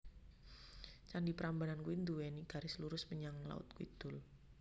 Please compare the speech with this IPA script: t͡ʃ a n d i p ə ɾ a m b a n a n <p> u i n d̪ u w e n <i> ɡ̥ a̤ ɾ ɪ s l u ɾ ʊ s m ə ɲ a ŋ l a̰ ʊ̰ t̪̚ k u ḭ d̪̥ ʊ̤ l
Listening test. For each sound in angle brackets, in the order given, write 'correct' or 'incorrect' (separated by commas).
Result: incorrect, correct